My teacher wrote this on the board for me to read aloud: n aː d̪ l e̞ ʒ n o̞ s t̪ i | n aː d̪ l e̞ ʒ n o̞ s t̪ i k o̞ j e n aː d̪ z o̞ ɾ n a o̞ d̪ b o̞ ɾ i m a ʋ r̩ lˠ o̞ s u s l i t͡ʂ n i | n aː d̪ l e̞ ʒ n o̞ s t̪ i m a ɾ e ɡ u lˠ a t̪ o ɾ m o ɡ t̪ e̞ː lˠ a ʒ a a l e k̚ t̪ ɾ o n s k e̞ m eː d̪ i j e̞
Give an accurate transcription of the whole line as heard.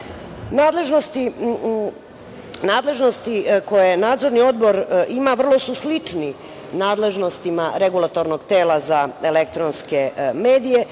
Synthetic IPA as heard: n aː d̪ l e̞ ʒ n o̞ s t̪ i | n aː d̪ l e̞ ʒ n o̞ s t̪ i k o̞ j e n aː d̪ z o̞ ɾ n i o̞ d̪ b o̞ ɾ i m a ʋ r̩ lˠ o̞ s u s l i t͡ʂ n i | n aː d̪ l e̞ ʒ n o̞ s t̪ i m a ɾ e ɡ u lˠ a t̪ o ɾ n o ɡ t̪ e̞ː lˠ a z a e l e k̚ t̪ ɾ o n s k e̞ m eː d̪ i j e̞